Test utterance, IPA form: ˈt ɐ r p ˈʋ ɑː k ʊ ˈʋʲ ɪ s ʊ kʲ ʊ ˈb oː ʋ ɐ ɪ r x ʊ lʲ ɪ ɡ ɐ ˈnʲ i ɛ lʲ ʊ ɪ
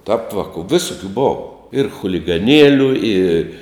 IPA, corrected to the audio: ˈt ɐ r p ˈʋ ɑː k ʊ ˈʋʲ ɪ s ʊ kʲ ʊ ˈb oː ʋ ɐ ɪ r x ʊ lʲ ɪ ɡ ɐ ˈnʲ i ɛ lʲ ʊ ɪ